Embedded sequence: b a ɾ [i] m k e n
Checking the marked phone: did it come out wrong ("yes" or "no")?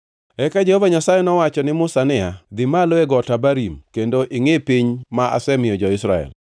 no